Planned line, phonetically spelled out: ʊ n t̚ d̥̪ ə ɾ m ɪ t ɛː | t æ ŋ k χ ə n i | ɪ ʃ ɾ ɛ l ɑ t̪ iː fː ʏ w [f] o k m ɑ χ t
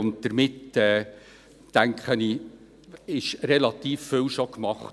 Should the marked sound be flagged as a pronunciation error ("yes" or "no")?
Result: yes